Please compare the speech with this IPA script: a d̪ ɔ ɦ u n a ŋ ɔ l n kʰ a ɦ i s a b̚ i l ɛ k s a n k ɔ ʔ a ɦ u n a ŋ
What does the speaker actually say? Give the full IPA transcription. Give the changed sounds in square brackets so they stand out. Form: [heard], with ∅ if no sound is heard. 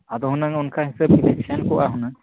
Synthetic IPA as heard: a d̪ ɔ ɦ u n a ŋ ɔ [∅] n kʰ a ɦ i s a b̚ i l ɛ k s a n k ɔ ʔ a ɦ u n a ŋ

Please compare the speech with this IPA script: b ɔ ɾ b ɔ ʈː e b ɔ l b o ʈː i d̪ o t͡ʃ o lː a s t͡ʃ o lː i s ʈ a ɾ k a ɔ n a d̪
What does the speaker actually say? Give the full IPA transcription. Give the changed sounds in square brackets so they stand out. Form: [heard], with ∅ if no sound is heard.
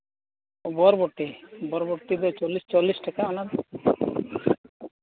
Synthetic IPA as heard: b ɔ ɾ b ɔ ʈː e b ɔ [ɾ] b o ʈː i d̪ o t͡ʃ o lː [i] s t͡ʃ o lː i s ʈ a [∅] k a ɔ n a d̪

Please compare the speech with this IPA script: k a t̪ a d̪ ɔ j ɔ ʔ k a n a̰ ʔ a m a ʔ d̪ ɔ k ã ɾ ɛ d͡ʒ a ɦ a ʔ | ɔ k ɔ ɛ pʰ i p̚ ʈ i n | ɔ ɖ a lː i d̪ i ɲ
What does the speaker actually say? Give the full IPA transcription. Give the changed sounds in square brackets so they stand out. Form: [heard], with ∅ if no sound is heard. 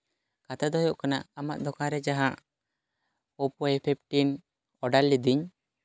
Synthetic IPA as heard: k a t̪ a d̪ ɔ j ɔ ʔ k a n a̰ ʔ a m a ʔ d̪ ɔ k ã ɾ ɛ d͡ʒ a ɦ a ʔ | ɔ [p] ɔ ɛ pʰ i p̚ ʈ i n | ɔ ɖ a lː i d̪ i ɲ

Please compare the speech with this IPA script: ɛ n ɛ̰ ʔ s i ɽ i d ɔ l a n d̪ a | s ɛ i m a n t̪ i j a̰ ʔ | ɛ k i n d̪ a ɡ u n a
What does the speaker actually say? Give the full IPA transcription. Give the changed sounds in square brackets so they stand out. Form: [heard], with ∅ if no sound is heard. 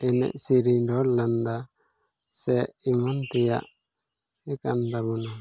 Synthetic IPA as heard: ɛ n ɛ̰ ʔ s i [ɾ] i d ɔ l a n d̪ a | s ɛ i m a n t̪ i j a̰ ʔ | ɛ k [a] n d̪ a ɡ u n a

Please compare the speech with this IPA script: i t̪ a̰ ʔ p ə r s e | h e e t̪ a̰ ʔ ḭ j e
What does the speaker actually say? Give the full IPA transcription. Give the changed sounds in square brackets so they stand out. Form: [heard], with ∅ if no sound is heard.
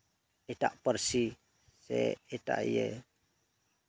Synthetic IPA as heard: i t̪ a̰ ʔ p ə r s [i] | [s] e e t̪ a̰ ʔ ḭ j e

